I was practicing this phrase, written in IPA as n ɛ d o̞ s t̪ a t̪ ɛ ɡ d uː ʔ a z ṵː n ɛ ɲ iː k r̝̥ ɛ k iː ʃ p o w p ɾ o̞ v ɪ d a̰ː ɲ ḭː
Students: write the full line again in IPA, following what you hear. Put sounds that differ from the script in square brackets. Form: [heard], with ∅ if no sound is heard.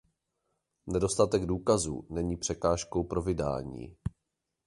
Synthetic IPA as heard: n ɛ d o̞ s t̪ a t̪ ɛ ɡ d uː [k] a z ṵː n ɛ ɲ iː [p] r̝̥ ɛ k [aː] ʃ [k] o w p ɾ o̞ v ɪ d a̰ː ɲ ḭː